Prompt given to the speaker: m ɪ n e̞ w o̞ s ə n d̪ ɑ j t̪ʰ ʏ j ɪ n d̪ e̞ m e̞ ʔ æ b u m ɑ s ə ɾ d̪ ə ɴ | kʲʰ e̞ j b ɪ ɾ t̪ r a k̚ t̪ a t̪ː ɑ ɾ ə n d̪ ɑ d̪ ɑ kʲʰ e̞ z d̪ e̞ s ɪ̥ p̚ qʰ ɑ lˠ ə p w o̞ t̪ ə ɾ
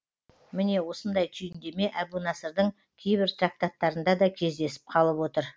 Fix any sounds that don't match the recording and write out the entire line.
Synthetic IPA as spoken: m ɪ n e̞ w o̞ s ə n d̪ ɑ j t̪ʰ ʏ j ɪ n d̪ e̞ m e̞ ʔ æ b u n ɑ s ə ɾ d̪ ə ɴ | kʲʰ e̞ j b ɪ ɾ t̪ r a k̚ t̪ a t̪ː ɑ ɾ ə n d̪ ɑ d̪ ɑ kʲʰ e̞ z d̪ e̞ s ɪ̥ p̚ qʰ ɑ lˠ ə p w o̞ t̪ ə ɾ